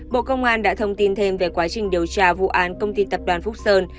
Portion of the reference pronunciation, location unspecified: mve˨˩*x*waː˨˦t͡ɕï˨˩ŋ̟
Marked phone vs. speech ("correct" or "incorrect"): incorrect